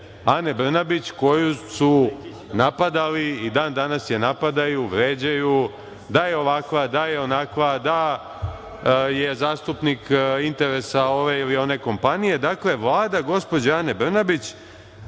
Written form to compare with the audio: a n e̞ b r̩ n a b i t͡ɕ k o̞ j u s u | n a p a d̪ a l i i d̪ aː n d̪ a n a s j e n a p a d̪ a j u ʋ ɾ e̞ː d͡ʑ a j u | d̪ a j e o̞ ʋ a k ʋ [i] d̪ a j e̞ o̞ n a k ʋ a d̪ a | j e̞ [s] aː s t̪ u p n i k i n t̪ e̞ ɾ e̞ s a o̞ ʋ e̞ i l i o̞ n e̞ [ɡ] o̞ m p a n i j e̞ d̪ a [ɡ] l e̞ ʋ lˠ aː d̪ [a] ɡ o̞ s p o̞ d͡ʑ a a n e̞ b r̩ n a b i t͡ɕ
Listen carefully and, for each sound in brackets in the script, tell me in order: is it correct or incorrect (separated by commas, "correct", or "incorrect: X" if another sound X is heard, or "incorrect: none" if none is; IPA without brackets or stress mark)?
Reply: incorrect: a, incorrect: z, incorrect: k, incorrect: k, correct